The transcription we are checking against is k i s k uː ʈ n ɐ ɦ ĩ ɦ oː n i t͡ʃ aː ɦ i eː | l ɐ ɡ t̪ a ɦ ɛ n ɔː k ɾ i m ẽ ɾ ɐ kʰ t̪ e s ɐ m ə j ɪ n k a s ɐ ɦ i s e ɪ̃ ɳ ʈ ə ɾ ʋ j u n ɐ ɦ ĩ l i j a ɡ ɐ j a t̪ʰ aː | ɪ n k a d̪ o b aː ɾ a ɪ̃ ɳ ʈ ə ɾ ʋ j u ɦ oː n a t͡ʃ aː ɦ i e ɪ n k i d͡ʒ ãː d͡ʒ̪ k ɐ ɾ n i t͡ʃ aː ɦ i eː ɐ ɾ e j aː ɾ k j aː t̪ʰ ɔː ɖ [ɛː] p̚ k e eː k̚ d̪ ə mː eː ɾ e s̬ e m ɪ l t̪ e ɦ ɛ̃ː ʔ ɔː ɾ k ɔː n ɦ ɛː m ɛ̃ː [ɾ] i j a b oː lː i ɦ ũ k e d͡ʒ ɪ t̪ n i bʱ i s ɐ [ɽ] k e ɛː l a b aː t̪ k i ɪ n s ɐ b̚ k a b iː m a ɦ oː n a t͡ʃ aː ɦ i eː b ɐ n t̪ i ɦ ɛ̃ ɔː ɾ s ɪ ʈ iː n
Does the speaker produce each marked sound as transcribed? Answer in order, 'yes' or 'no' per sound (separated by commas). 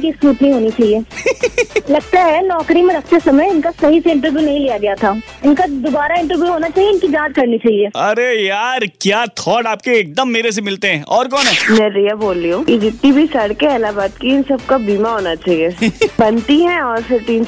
no, yes, yes